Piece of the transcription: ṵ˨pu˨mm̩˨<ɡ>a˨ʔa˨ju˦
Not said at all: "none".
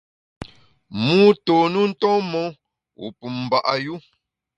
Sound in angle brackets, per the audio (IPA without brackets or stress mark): b